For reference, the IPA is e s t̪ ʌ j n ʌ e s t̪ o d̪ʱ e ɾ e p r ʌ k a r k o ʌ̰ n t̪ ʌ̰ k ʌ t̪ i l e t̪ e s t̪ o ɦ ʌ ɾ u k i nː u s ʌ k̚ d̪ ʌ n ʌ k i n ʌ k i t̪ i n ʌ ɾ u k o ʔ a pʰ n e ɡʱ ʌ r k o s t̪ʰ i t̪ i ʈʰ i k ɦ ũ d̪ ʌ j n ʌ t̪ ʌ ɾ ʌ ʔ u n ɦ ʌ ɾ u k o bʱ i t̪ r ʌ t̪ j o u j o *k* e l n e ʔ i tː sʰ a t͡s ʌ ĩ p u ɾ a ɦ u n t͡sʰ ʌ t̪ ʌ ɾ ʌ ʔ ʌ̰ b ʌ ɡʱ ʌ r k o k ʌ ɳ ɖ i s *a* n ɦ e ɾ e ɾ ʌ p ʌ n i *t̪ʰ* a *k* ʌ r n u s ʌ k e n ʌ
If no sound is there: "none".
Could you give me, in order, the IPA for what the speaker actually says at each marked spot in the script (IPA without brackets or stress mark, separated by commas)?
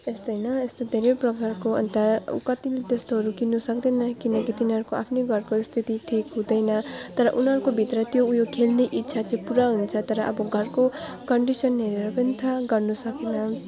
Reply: kʰ, ʌ, t̪ʰ, ɡ